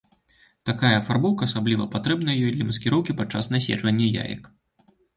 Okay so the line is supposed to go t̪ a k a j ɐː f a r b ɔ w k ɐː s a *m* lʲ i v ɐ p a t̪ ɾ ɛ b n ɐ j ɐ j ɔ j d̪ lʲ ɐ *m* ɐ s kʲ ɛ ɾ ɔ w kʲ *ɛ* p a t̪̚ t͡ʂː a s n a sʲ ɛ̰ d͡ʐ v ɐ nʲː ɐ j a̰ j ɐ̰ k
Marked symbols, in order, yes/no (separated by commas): no, yes, no